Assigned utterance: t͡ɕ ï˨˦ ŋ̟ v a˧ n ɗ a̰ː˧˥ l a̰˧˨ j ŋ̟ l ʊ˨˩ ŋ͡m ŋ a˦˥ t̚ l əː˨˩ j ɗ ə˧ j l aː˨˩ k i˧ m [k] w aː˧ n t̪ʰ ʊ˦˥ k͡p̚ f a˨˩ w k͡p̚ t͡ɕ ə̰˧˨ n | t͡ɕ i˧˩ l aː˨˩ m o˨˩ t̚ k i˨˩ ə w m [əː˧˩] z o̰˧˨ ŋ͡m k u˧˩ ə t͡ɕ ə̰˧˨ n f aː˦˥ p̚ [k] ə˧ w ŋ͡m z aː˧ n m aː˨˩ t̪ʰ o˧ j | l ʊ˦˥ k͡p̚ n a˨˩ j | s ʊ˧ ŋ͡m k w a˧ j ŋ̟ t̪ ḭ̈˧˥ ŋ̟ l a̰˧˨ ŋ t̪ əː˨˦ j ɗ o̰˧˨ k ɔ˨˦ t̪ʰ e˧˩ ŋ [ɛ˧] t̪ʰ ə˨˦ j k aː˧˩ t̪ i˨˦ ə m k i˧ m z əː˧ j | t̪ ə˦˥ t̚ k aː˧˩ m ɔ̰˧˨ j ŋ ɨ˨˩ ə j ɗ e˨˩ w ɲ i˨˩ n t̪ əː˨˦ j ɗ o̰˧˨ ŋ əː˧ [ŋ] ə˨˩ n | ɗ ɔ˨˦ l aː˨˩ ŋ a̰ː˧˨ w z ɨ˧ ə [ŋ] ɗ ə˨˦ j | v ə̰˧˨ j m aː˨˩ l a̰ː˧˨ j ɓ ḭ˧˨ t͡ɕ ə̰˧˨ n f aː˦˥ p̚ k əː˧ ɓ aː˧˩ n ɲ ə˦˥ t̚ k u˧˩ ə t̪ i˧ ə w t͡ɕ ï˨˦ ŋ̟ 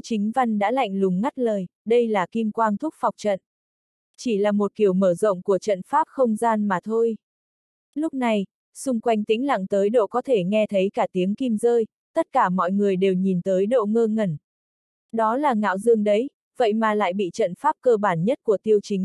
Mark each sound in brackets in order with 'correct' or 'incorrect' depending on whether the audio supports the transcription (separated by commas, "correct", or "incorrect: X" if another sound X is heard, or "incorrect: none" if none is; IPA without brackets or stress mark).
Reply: correct, correct, incorrect: x, correct, correct, correct